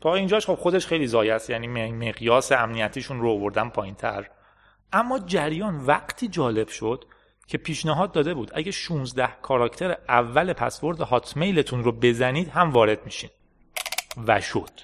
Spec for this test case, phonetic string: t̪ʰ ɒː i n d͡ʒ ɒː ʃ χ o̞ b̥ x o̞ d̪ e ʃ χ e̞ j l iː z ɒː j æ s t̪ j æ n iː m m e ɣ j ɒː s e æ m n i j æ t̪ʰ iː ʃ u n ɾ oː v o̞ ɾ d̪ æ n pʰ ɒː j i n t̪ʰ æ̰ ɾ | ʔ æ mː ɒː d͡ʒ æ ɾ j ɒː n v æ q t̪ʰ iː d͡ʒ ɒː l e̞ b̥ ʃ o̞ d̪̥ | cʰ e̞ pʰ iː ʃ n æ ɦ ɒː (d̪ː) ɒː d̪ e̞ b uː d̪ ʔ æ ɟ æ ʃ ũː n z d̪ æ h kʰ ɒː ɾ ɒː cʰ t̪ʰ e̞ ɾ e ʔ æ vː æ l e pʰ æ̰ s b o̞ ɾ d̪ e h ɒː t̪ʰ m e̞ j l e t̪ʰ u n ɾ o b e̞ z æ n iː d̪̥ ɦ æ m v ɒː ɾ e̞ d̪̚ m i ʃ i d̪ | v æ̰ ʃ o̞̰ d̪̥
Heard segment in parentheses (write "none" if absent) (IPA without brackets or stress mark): d̪ː